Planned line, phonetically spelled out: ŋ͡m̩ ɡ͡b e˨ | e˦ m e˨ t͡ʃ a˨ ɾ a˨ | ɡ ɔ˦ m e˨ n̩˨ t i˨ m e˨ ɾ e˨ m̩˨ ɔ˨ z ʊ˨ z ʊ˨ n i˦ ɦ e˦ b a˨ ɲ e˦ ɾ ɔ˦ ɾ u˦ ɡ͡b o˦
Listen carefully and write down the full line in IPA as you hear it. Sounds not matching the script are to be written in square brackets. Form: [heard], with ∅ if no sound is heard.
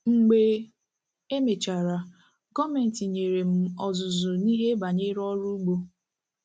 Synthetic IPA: ŋ͡m̩ ɡ͡b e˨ | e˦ m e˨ t͡ʃ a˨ ɾ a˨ | ɡ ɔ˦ m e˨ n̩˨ t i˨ [ɲ] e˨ ɾ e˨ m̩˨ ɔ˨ z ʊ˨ z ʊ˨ n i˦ ɦ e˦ b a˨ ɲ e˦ ɾ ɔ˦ ɾ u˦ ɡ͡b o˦